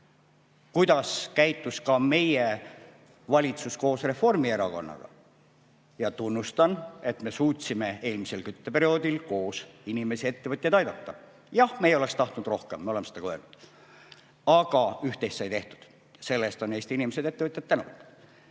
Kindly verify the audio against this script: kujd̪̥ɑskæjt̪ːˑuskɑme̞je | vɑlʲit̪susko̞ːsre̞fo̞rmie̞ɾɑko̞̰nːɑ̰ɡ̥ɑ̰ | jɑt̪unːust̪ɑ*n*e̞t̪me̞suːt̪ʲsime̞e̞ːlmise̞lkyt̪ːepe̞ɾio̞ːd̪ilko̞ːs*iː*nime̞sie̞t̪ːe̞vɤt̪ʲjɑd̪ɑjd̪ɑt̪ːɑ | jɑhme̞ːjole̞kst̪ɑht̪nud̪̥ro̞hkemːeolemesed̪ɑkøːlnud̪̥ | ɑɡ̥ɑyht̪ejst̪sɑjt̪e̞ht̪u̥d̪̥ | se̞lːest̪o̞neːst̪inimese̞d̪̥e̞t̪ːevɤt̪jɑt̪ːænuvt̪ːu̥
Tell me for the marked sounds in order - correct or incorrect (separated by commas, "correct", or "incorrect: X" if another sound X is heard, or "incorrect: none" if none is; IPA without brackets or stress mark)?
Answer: correct, incorrect: i